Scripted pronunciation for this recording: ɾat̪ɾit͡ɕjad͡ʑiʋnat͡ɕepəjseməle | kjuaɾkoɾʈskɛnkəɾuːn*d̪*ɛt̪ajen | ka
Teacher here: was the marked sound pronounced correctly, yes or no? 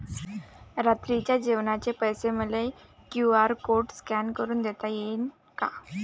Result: yes